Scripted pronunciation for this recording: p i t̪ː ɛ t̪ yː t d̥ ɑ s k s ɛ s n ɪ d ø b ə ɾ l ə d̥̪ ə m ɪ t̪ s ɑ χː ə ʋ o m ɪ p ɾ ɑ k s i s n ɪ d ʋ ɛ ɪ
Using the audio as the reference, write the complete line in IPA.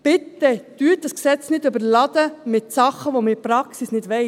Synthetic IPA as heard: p ɪ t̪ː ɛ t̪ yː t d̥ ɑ s k s ɛ t͡s n ɪ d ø b ə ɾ l ɑ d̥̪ ə m ɪ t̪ s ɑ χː ə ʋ o m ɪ p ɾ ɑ k s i s n ɪ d ʋ ɛ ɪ